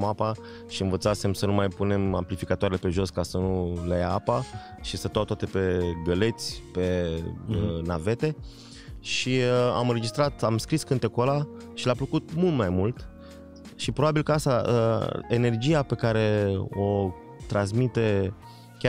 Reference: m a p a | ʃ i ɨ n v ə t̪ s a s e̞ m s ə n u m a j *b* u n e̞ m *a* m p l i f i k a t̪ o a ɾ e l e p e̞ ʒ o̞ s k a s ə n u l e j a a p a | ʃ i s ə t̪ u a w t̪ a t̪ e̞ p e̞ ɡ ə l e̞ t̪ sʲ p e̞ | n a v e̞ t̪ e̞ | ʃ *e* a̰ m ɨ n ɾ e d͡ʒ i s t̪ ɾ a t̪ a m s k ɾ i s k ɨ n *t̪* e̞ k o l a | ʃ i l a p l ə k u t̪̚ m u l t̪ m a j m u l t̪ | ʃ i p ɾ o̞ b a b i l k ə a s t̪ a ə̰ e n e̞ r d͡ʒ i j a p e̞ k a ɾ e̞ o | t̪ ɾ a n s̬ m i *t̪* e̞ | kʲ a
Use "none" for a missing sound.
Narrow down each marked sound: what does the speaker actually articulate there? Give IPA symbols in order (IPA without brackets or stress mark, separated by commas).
p, a, i, t̪, t̪